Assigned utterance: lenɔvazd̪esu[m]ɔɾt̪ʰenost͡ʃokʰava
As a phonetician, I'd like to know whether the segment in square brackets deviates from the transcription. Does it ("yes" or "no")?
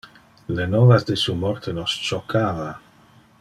no